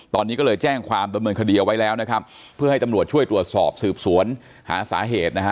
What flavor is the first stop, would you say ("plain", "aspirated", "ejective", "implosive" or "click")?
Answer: plain